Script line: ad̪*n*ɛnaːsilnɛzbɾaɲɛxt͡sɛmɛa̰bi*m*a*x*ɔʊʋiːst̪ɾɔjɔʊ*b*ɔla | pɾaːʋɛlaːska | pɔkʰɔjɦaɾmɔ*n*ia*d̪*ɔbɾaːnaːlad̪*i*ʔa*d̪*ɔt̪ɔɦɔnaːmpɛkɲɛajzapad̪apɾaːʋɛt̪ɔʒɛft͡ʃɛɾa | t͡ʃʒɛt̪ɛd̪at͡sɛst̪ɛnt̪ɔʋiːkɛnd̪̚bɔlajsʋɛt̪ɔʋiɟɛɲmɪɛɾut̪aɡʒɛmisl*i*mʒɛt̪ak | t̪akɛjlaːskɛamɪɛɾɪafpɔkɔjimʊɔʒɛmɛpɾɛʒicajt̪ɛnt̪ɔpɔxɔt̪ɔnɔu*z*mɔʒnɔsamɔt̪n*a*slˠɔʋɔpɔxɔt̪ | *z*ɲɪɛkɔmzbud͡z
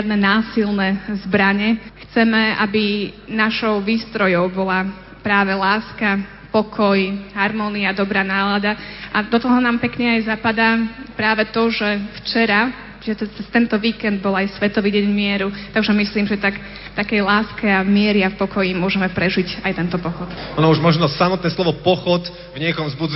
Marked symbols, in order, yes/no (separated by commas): yes, no, no, yes, yes, yes, no, yes, no, no, no, no